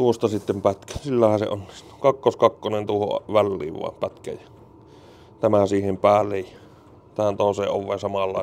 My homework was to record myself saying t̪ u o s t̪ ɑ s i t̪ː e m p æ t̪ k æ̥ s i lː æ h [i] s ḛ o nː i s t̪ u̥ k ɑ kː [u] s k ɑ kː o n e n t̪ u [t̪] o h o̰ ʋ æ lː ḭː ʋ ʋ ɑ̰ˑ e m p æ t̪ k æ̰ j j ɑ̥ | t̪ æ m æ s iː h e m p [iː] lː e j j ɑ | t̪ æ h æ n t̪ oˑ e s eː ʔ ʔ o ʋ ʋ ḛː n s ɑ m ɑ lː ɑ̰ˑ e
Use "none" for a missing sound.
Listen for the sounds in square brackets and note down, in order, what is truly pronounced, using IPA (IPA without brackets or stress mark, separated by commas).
æ, o, none, æː